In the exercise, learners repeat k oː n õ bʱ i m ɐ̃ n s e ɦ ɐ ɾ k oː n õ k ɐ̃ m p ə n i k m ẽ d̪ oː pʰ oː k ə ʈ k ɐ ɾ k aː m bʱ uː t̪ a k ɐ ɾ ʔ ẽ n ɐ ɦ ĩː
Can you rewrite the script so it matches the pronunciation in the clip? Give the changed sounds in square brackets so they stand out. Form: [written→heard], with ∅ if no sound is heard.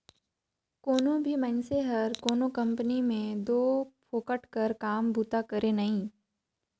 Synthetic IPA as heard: k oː n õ bʱ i m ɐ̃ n s e ɦ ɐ ɾ k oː n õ k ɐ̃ m p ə n i [k→∅] m ẽ d̪ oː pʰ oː k ə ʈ k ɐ ɾ k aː m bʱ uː t̪ a k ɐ ɾ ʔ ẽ n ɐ ɦ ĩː